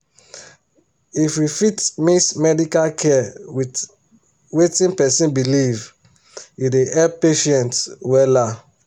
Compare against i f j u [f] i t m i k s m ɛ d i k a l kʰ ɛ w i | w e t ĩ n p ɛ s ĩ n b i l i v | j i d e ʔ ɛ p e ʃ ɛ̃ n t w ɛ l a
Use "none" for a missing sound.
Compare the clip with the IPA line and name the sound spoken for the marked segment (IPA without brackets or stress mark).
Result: f